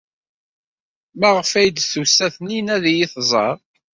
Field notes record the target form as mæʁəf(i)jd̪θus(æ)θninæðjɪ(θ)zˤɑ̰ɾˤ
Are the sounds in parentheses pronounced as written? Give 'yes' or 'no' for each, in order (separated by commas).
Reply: no, yes, yes